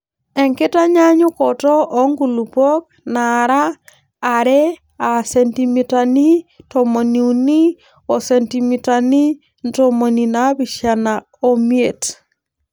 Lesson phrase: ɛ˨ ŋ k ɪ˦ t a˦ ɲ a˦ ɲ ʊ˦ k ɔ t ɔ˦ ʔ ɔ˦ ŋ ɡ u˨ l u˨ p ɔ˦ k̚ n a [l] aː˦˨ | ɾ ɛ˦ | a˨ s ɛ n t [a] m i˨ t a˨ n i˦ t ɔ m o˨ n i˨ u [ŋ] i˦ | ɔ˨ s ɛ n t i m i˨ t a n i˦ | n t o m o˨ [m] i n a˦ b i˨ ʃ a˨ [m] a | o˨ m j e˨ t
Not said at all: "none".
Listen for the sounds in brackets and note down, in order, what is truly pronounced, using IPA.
ɾ, i, n, n, n

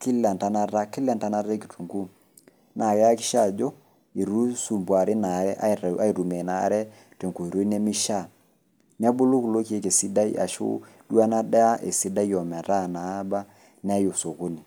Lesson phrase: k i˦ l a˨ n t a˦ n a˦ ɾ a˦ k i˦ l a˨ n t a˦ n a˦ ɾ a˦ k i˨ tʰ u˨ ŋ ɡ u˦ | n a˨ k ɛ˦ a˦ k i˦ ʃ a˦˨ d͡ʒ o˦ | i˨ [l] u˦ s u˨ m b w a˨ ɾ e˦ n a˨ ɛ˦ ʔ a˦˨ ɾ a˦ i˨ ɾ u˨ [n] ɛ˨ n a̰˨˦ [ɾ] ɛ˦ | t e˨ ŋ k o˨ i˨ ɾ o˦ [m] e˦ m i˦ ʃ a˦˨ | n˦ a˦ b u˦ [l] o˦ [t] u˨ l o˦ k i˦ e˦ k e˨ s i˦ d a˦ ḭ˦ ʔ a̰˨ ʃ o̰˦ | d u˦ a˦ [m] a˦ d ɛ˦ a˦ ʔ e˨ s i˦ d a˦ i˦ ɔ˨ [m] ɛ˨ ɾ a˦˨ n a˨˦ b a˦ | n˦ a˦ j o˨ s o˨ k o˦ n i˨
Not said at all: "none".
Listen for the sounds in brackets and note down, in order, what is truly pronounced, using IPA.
ɾ, m, ɾ, n, l, k, n, m

